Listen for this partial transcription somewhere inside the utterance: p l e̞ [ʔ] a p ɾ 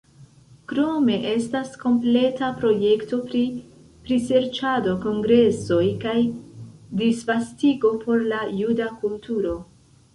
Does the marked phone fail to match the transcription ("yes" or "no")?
yes